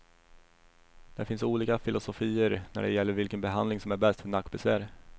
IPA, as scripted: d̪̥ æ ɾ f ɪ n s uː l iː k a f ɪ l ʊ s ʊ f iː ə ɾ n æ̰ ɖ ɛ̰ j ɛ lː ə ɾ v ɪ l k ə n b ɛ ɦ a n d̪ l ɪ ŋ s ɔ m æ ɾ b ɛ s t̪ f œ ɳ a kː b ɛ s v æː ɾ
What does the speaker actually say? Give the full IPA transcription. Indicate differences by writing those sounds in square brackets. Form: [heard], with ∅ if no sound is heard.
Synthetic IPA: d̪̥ æ ɾ f ɪ n s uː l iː k a f ɪ l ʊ s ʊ f iː ə ɾ n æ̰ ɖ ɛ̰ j ɛ lː ə ɾ v ɪ l k ə n b ɛ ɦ a n d̪ l ɪ ŋ s ɔ m æ ɾ b ɛ s t̪ f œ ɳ a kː b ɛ s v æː ɾ